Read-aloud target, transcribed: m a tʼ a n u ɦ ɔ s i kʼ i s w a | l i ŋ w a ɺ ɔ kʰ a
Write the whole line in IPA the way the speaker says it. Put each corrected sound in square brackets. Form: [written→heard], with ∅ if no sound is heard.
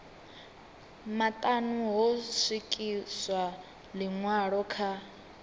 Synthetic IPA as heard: m a tʼ a n u ɦ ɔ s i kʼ i s w a | l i ŋ w a ɺ ɔ kʰ a

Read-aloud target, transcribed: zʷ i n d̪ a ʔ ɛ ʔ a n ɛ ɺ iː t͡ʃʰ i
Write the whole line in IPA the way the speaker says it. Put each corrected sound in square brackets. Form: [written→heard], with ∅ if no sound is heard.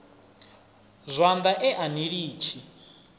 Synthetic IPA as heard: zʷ [i→a] n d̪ a ʔ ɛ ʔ a n [ɛ→i] ɺ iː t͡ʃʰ i

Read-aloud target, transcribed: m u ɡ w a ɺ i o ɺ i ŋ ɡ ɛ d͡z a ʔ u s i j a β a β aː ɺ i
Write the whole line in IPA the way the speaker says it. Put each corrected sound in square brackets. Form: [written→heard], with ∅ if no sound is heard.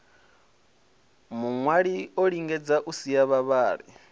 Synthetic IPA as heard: m u [ɡ→ŋ] w a ɺ i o ɺ i ŋ ɡ ɛ d͡z a ʔ u s i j a β a β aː ɺ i

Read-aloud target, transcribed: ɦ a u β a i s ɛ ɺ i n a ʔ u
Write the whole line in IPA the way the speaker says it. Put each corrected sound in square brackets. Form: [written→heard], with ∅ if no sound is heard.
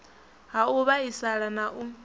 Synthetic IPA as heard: ɦ a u β a i s [ɛ→a] ɺ [i→a] n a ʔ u

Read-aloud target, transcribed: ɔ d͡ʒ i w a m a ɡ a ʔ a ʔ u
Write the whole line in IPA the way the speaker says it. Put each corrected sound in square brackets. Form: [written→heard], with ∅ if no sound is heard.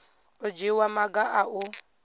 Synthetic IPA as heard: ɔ d͡ʒ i w a m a ɡ a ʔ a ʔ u

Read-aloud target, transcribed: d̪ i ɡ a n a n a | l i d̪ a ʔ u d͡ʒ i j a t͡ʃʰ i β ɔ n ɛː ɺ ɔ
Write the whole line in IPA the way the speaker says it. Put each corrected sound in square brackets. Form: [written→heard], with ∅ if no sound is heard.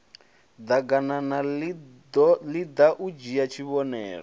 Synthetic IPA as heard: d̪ [i→a] ɡ a n a n a | l i d̪ a ʔ u d͡ʒ i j a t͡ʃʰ i β ɔ n ɛː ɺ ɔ

